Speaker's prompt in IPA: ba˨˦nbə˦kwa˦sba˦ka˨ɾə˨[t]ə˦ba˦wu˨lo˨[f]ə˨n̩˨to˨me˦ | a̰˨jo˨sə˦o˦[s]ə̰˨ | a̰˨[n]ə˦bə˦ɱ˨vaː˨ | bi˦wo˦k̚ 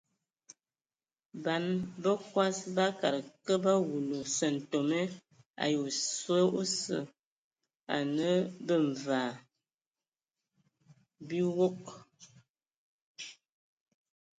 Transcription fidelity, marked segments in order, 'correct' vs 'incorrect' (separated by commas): incorrect, incorrect, correct, correct